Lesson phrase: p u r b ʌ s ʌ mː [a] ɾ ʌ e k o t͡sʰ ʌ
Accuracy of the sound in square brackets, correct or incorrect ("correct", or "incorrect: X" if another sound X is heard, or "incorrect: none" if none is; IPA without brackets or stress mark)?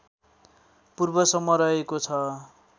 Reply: incorrect: ʌ